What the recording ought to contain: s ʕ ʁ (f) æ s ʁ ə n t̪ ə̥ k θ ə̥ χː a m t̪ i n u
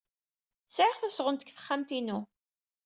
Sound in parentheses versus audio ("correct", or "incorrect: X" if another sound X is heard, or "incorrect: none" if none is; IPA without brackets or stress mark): incorrect: θ